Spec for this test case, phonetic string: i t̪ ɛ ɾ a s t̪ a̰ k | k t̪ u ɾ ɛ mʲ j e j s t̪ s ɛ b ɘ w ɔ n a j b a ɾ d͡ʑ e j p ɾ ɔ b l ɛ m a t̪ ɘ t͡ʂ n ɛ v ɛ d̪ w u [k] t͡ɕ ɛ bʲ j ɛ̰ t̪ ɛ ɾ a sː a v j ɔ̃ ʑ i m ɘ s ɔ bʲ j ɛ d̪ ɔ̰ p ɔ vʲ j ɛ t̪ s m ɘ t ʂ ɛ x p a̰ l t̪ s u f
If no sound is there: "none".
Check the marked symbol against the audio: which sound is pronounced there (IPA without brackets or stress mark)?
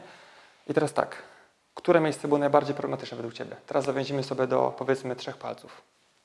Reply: k